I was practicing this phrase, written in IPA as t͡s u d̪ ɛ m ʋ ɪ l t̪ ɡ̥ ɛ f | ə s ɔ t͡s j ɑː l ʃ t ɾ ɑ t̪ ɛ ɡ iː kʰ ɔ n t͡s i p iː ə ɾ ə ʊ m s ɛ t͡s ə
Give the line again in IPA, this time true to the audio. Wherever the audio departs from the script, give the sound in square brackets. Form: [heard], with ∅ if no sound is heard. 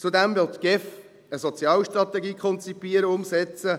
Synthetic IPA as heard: t͡s u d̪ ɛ m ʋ ɪ l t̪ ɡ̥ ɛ f | ə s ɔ t͡s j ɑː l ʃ t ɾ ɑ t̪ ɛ ɡ iː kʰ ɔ n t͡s i p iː ə ɾ ə ʊ m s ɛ t͡s ə